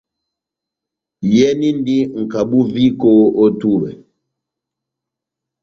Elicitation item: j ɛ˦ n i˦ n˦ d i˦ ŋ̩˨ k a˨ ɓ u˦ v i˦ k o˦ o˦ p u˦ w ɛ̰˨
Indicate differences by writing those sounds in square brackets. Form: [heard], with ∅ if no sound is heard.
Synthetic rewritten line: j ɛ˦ n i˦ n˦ d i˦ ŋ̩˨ k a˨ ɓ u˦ v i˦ k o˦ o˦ [t] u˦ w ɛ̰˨